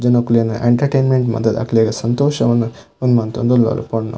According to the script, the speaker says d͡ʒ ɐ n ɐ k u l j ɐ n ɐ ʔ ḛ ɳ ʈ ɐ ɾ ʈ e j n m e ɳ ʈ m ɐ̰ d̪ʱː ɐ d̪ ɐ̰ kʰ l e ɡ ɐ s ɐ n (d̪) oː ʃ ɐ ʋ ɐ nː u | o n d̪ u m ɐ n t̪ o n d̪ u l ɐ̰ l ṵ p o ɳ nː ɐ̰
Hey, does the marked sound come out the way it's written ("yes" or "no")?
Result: no